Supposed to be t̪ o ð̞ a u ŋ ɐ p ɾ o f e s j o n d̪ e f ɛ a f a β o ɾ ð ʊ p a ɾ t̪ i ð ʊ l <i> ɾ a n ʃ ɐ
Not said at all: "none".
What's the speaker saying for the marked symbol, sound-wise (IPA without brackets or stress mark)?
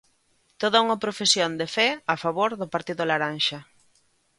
a